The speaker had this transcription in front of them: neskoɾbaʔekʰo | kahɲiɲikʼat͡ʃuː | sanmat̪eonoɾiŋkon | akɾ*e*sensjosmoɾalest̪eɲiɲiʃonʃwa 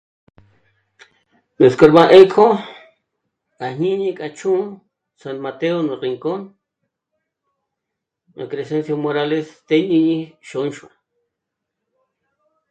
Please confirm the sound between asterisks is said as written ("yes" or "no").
yes